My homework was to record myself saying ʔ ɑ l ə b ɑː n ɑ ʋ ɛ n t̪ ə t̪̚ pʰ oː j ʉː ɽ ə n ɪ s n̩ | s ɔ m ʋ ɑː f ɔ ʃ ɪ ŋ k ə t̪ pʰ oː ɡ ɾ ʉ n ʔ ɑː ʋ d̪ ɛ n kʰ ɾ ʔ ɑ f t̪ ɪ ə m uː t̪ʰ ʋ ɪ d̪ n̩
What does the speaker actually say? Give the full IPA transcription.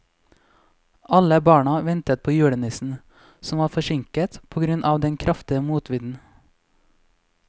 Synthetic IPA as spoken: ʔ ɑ l ə b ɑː ɳ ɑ ʋ ɛ n t̪ ə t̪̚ pʰ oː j ʉː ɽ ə n ɪ s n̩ | s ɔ m ʋ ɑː f ɔ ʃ ɪ ŋ k ə t̪ pʰ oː ɡ ɾ ʉ n ʔ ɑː ʋ d̪ ɛ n kʰ ɾ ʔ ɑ f t̪ ɪ ə m uː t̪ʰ ʋ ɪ d̪ n̩